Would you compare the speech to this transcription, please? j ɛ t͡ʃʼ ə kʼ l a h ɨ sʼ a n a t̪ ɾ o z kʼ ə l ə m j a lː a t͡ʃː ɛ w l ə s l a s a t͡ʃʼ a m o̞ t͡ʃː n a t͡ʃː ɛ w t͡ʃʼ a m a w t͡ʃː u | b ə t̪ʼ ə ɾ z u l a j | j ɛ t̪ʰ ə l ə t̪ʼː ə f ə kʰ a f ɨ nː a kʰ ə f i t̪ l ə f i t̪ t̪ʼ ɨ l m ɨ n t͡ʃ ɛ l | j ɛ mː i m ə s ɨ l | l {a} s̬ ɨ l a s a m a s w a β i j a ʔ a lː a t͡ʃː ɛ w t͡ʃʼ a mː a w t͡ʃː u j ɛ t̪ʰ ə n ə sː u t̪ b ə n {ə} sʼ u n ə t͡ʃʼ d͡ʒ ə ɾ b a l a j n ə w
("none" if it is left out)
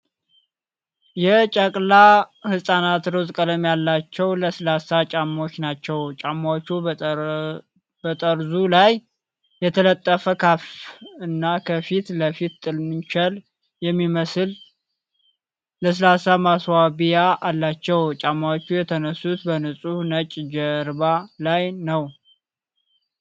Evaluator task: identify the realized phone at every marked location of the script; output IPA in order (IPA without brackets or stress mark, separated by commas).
ə, ə